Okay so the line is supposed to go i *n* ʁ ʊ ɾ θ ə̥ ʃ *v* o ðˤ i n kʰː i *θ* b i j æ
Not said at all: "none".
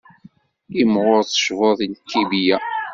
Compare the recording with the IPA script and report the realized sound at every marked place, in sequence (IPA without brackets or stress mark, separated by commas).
m, v, none